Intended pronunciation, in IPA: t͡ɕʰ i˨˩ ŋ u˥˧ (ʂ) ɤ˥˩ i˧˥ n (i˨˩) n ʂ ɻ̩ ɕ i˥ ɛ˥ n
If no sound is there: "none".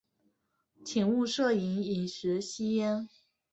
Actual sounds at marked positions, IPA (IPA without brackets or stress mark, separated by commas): ʂ, i˨˩